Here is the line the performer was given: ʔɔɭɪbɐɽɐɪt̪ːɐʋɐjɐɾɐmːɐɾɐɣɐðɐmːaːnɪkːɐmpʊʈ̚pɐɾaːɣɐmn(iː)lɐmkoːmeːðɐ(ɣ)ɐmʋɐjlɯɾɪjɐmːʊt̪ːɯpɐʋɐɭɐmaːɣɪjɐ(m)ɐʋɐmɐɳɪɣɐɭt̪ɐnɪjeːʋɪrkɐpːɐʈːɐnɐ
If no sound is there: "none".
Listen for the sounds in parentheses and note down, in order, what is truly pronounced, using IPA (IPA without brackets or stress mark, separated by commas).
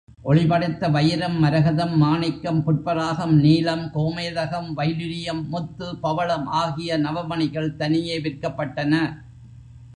iː, ɣ, n